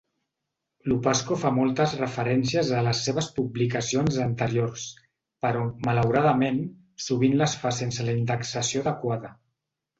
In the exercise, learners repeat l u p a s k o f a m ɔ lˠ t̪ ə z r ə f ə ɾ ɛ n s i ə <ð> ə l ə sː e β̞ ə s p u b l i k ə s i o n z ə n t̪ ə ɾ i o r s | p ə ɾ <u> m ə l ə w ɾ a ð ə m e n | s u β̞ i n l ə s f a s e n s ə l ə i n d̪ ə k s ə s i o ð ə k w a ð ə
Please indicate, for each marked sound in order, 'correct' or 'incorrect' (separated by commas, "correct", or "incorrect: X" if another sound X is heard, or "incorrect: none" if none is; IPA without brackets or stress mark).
incorrect: z, incorrect: ɔ